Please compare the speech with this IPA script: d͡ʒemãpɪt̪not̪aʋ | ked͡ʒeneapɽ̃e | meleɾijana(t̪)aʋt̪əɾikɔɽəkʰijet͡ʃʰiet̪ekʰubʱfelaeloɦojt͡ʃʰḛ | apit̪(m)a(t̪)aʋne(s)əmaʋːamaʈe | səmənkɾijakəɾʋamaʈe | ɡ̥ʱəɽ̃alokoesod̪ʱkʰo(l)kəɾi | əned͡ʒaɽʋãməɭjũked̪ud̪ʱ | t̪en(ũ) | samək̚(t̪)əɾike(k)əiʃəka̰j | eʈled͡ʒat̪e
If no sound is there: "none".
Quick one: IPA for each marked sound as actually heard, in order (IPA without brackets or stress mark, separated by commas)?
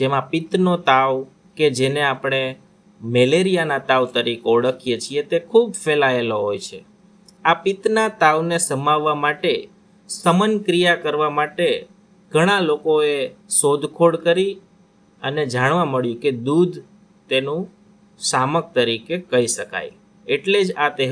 t̪, n, t̪, s, ɽ, ũ, t̪, k